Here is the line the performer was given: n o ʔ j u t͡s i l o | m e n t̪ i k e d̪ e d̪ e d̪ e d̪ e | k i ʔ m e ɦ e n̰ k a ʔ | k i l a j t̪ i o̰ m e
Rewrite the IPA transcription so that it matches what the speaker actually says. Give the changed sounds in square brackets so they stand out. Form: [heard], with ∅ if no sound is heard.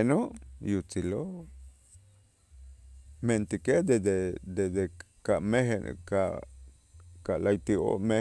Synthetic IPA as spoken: n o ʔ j u t͡s i l o | m e n t̪ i k e d̪ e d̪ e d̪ e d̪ e | k [a] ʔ m e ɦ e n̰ k a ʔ | k [a] l a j t̪ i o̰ m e